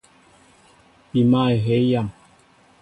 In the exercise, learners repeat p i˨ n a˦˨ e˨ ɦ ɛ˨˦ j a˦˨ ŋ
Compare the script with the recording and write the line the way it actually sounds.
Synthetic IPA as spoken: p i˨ m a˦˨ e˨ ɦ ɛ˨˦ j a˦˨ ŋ

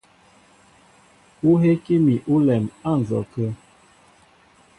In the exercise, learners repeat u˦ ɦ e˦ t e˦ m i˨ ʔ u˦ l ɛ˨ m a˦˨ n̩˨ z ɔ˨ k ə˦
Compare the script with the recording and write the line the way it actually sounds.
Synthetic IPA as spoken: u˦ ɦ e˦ k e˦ m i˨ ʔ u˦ l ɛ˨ m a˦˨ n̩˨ z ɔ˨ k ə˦

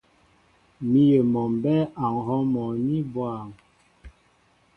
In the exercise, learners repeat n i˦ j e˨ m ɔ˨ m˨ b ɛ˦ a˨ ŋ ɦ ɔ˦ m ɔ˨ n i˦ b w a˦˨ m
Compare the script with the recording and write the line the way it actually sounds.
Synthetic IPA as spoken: m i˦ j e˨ m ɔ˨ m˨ b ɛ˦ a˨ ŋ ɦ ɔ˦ m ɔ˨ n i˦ b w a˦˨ ŋ

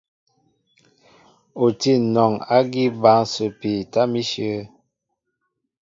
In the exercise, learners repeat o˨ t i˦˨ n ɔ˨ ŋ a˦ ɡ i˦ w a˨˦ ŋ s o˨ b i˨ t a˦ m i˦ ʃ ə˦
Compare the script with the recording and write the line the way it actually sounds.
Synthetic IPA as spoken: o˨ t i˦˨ n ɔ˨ ŋ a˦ ɡ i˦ b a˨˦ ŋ s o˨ p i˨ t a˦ m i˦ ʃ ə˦

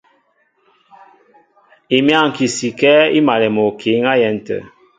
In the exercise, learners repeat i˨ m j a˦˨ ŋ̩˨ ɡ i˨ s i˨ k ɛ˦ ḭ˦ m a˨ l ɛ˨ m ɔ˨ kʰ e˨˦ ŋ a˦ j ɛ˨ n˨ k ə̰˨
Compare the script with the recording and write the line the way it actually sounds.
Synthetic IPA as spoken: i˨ m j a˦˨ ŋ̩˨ k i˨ s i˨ k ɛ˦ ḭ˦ m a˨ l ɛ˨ m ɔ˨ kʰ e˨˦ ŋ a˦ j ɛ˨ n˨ t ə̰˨

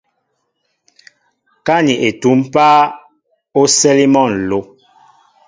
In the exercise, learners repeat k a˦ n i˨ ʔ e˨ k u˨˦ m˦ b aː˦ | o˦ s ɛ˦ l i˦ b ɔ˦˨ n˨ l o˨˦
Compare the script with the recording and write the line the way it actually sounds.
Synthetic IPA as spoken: k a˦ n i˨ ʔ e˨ t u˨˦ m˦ p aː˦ | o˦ s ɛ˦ l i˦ m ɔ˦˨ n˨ l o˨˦

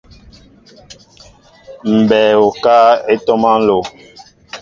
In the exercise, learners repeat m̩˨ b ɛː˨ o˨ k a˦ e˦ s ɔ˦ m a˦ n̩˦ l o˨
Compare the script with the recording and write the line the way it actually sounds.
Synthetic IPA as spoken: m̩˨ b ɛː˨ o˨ k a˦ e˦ t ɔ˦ m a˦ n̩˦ l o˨

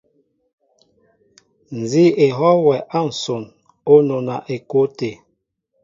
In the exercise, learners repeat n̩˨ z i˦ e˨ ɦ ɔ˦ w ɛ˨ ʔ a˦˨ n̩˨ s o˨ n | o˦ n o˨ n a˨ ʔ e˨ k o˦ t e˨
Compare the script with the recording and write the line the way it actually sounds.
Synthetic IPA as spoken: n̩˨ z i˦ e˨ ɦ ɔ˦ w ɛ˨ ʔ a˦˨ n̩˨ s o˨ n | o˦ n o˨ n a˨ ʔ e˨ k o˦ t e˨

